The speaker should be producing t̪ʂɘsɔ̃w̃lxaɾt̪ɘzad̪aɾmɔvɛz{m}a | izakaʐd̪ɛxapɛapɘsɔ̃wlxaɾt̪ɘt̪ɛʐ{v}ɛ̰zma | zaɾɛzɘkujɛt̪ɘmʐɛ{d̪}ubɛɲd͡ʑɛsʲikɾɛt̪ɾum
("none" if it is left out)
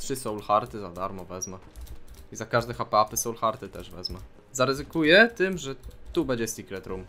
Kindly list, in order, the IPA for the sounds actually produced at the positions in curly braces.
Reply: m, v, t̪

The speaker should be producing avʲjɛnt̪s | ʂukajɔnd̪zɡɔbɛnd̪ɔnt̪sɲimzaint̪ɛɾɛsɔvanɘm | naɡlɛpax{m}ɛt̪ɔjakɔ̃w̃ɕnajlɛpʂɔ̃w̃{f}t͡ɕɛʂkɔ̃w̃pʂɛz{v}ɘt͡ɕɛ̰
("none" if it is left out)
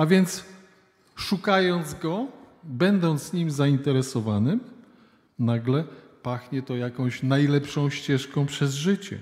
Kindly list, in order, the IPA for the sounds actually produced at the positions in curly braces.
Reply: ɲ, ɕ, ʐ

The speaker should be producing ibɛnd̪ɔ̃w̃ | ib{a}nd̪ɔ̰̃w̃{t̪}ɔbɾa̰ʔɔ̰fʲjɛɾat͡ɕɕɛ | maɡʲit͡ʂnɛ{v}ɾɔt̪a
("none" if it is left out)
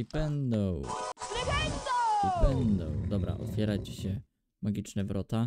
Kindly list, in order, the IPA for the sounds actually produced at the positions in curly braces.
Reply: ɛ, d̪, v

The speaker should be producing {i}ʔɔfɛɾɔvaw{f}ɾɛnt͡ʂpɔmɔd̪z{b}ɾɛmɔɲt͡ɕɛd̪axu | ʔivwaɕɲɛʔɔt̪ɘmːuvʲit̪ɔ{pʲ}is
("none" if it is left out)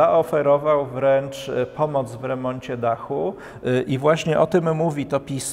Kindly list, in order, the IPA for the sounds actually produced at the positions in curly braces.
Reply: a, v, v, pʲ

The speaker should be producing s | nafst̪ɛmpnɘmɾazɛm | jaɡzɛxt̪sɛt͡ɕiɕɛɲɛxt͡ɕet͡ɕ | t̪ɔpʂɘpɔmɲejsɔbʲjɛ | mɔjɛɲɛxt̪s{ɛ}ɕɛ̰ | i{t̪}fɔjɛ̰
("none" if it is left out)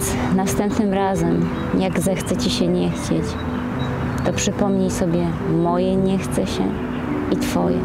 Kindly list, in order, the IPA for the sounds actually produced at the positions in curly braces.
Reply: ɛ, t̪

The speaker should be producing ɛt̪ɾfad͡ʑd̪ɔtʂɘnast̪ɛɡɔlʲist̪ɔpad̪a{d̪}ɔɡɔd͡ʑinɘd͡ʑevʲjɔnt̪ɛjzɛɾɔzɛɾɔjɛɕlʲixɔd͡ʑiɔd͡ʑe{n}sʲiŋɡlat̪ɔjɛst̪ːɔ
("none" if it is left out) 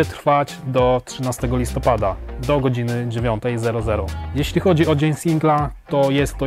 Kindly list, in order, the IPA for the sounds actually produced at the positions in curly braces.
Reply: d̪, ɲ

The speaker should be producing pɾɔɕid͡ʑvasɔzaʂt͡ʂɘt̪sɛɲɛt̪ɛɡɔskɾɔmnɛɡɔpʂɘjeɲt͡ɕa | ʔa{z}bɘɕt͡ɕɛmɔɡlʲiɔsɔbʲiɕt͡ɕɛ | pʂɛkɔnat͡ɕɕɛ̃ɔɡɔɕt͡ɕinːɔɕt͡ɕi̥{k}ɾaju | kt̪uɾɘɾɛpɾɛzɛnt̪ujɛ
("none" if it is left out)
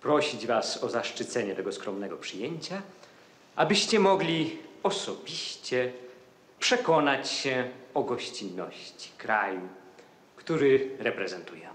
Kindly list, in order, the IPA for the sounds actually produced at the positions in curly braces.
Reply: none, k

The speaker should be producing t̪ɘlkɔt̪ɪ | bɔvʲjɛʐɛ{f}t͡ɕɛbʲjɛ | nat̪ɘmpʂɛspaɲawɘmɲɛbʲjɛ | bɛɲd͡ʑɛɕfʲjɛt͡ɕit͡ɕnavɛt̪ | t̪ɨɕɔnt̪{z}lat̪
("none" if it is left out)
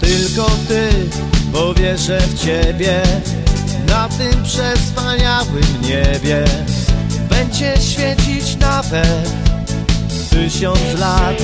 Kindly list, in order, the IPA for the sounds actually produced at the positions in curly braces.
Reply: f, s

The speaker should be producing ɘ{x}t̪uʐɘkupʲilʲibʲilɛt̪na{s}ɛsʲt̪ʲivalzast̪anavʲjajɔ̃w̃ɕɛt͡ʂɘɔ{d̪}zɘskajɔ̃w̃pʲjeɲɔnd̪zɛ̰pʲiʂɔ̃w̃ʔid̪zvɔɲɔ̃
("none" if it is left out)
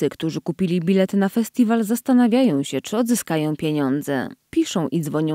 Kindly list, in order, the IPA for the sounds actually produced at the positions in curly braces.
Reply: k, f, d̪

